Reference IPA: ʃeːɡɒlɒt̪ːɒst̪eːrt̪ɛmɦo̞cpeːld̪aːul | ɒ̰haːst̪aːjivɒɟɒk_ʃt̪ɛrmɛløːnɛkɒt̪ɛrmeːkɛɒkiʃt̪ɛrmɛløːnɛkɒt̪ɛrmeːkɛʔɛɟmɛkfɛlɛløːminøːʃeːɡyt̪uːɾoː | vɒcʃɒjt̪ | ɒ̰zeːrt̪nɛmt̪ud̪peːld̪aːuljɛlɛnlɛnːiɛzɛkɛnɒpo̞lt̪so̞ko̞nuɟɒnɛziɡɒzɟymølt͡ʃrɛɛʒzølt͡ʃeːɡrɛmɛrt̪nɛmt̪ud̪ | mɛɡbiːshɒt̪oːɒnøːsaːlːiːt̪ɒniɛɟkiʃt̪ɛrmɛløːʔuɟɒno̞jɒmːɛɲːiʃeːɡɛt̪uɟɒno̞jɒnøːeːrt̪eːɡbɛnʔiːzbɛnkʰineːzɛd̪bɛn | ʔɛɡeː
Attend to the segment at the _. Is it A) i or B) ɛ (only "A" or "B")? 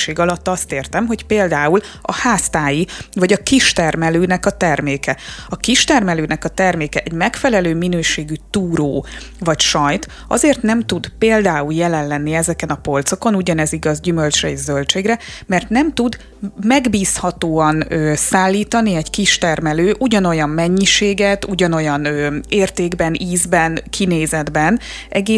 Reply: A